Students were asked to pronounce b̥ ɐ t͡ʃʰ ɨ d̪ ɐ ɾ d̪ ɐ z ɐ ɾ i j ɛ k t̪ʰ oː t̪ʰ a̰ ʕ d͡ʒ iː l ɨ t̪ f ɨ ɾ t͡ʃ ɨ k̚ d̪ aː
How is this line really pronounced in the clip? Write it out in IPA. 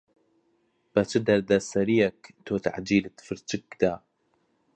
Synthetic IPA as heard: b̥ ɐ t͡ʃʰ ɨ d̪ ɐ ɾ d̪ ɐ s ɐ ɾ i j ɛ k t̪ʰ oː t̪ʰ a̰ ʕ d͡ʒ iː l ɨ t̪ f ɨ ɾ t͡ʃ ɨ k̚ d̪ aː